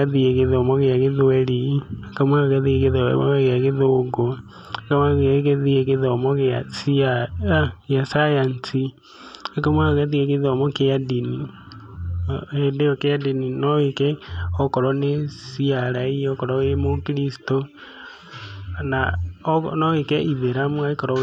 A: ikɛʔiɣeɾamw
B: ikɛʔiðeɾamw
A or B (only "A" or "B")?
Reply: B